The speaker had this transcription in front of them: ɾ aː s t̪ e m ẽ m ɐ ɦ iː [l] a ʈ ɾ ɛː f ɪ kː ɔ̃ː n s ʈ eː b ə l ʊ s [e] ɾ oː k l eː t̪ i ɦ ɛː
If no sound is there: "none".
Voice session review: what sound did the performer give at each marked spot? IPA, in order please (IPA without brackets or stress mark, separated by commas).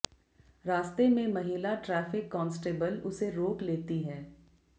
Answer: l, e